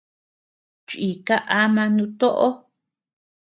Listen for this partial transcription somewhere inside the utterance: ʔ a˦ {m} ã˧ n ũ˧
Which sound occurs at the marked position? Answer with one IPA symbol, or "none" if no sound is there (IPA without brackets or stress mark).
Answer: m